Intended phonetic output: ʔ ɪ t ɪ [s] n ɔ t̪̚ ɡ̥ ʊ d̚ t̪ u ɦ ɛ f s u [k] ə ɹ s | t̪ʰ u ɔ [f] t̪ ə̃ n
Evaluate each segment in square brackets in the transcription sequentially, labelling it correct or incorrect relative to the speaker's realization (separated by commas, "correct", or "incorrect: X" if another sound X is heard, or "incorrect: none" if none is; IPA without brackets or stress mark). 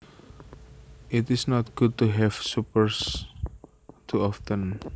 correct, incorrect: p, correct